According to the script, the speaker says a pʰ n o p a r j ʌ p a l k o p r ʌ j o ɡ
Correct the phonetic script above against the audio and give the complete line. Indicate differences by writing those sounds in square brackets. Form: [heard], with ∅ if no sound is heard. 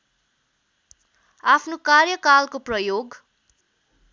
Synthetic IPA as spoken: a pʰ n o [k] a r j ʌ [k] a l k o p r ʌ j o ɡ